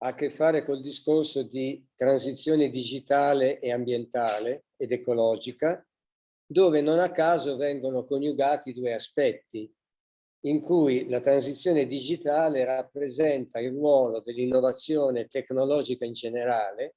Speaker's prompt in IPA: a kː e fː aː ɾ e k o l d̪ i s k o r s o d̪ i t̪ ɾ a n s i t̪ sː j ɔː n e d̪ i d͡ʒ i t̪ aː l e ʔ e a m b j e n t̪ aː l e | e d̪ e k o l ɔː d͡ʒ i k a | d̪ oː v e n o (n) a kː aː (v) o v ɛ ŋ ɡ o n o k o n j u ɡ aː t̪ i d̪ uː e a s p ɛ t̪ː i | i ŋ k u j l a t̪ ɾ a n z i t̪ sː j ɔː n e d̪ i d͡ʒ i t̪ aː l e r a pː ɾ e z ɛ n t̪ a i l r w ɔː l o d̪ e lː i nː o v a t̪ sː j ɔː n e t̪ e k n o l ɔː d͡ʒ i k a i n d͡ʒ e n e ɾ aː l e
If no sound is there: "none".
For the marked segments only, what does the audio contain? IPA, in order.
n, z

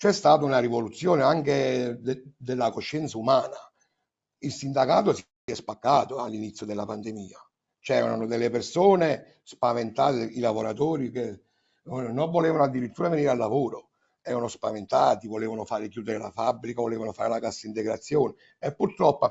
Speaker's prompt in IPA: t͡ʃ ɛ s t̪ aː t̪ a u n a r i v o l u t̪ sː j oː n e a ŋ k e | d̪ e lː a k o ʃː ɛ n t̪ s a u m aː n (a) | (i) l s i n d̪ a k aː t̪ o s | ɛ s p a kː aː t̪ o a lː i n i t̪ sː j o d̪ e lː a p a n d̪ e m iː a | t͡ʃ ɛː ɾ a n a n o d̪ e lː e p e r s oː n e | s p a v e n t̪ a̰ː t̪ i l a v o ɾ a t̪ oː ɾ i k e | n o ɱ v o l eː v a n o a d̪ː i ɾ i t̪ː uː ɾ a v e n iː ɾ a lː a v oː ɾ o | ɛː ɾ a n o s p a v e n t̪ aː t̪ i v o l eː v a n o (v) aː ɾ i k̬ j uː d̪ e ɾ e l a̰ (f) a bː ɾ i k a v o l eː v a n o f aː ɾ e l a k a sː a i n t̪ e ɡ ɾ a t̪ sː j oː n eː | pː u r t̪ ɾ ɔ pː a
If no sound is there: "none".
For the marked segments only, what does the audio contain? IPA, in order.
a, i, f, f

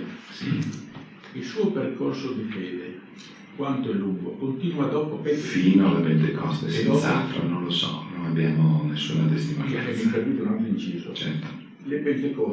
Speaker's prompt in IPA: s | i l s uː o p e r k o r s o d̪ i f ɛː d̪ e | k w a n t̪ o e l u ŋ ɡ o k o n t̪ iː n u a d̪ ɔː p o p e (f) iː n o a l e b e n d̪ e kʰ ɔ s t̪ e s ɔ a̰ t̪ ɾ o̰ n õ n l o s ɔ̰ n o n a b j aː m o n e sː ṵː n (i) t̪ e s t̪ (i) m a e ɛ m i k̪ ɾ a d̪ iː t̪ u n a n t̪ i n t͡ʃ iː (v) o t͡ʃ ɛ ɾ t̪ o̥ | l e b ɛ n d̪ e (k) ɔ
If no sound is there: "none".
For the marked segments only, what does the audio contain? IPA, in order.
f, a, i, z, k

